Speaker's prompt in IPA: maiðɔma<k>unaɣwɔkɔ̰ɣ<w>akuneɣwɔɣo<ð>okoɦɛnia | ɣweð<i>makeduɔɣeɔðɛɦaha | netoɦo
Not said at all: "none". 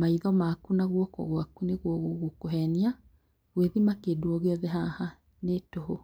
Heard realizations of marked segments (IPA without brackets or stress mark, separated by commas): k, w, ɣ, i